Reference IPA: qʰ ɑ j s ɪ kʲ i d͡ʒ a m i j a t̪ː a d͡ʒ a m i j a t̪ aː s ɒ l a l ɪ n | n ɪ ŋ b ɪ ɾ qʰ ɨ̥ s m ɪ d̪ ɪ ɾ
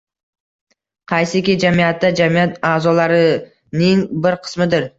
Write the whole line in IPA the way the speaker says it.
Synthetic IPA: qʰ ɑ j s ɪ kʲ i d͡ʒ a m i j a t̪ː a d͡ʒ a m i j a t̪ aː z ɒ l a ɾ ɪ | n ɪ ŋ b ɪ ɾ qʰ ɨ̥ s m ɪ d̪ ɪ ɾ